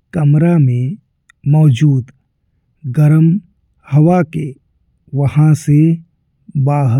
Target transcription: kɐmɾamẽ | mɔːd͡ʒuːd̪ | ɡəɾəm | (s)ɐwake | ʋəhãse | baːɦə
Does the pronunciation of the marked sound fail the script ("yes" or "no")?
yes